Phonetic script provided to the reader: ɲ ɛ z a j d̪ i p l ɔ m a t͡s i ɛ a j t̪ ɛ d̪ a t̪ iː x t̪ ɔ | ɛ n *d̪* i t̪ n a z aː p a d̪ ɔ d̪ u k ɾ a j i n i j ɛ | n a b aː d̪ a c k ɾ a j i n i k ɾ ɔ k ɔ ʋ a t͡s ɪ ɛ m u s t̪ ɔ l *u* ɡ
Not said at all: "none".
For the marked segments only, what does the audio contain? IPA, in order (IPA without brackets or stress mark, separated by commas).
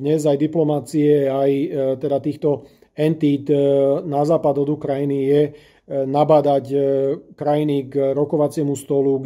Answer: t̪, u